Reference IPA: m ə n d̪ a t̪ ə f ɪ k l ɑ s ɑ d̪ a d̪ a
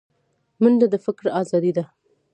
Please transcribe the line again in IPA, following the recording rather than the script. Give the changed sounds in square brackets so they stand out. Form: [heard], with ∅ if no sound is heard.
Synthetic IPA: m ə n d̪ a [d̪] ə f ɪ k [ɾ] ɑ [z] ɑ d̪ [i] d̪ a